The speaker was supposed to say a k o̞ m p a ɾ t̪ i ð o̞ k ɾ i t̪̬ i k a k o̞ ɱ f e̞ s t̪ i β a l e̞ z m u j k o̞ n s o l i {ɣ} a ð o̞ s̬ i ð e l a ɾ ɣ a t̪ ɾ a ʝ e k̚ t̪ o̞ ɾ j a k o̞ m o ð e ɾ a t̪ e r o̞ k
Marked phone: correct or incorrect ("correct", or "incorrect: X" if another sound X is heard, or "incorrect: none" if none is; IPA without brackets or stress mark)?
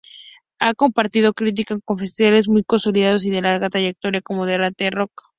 incorrect: ð